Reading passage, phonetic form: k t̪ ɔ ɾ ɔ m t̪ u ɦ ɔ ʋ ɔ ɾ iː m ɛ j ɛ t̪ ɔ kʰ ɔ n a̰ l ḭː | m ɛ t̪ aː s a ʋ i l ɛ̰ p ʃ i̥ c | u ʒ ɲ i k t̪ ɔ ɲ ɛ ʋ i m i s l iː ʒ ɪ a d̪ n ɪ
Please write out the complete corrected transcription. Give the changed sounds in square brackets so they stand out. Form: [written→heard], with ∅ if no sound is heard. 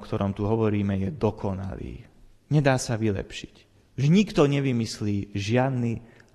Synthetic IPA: k t̪ ɔ ɾ ɔ m t̪ u ɦ ɔ ʋ ɔ ɾ iː m ɛ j ɛ [t̪→d̪] ɔ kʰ ɔ n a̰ l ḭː | [m→ɲ] ɛ [t̪→d̪] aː s a ʋ i l ɛ̰ p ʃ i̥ c | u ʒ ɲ i k t̪ ɔ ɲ ɛ ʋ i m i s l iː ʒ ɪ a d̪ n [ɪ→i]